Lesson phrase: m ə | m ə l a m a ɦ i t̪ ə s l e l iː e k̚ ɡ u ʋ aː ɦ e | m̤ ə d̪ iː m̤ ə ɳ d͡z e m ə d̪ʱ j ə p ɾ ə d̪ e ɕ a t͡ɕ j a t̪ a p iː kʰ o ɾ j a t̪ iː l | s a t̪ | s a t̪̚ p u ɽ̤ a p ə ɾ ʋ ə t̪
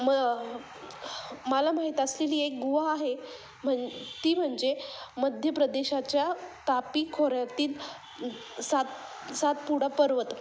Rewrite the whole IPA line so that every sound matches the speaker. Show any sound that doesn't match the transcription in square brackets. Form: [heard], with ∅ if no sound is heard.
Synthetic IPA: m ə | m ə l a m a ɦ i t̪ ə s l e l iː e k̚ ɡ u ʋ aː ɦ e | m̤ ə [t̪] iː m̤ ə ɳ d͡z e m ə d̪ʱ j ə p ɾ ə d̪ e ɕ a t͡ɕ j a t̪ a p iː kʰ o ɾ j a t̪ iː l | s a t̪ | s a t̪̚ p u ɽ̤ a p ə ɾ ʋ ə t̪